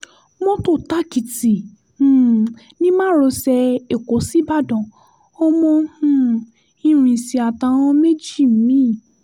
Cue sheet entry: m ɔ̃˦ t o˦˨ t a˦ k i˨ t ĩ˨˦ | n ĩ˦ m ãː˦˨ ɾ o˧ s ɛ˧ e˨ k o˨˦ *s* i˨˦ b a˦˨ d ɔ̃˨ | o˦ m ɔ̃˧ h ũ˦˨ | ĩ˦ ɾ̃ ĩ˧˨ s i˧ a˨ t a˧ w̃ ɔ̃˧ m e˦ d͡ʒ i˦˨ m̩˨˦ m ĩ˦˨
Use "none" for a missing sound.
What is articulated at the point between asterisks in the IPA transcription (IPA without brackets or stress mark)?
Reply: s